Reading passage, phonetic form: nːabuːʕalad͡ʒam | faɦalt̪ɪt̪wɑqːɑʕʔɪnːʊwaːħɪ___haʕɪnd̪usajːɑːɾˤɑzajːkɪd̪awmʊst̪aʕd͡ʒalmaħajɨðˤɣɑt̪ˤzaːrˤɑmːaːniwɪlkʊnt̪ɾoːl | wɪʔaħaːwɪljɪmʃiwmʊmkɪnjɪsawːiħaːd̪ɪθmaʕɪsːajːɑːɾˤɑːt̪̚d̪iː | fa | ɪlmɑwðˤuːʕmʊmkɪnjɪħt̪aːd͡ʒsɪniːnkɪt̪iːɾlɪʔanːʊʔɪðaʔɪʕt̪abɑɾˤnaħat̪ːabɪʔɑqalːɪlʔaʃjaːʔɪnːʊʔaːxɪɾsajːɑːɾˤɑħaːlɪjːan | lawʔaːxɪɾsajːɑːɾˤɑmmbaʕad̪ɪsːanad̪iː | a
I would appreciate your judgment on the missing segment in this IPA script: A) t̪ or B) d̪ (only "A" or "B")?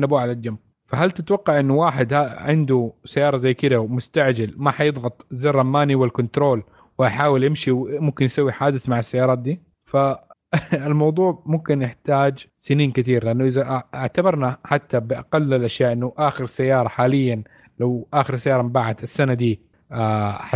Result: B